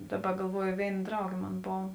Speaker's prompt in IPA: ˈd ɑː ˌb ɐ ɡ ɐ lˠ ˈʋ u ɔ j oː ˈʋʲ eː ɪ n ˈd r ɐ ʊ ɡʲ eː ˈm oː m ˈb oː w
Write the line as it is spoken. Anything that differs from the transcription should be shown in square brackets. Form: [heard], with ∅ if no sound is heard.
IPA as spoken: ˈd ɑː ˌb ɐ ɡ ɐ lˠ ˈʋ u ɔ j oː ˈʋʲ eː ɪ n ˈd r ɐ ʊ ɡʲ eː ˈm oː [n] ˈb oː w